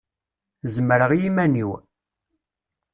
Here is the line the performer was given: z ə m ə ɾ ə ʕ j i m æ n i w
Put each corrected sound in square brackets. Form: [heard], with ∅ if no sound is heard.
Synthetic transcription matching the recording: z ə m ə ɾ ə [ʁ] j i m æ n i w